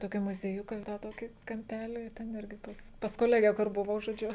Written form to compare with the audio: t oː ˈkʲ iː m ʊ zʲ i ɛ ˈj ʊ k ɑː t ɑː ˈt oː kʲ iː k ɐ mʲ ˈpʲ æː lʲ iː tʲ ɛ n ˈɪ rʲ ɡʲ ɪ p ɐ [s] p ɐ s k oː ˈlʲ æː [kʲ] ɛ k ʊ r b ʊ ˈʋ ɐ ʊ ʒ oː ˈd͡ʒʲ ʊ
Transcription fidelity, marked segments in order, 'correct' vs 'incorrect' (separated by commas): correct, incorrect